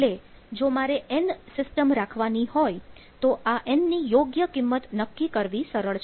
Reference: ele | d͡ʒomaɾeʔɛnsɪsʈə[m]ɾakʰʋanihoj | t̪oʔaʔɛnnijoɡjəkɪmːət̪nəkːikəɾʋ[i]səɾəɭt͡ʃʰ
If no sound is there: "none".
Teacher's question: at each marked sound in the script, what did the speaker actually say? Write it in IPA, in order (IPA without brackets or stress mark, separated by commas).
m, i